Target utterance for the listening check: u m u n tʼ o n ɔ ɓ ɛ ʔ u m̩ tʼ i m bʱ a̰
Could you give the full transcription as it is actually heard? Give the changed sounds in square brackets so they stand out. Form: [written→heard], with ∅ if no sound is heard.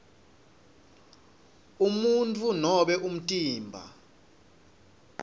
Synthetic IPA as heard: u m u n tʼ [o→u] n ɔ ɓ ɛ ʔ u m̩ tʼ [i→iː] m bʱ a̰